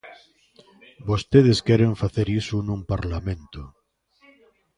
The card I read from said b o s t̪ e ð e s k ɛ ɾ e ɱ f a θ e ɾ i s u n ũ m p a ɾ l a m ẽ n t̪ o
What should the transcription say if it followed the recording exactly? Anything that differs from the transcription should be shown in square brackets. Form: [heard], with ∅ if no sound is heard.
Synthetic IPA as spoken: b o s t̪ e ð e s k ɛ ɾ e ɱ f a θ e ɾ i s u n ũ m p a ɾ l a m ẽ n t̪ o